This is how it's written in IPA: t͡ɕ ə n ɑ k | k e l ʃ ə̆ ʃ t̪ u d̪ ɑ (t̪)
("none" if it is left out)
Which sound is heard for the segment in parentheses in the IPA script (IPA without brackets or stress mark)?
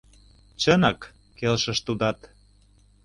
t̪